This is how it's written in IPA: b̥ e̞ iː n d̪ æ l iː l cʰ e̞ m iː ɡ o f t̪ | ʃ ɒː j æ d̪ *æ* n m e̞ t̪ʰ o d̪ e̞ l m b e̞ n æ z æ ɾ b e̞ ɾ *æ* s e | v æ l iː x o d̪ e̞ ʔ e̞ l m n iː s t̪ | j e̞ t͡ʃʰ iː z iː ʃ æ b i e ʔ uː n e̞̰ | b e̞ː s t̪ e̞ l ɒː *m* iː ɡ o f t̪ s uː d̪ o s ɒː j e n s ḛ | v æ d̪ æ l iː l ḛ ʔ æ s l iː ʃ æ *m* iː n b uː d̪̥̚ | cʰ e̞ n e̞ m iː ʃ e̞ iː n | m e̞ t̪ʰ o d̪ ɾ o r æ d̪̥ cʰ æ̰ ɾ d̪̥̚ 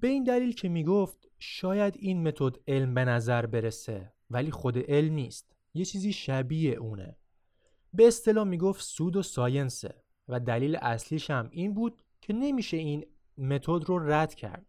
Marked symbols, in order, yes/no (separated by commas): no, no, yes, yes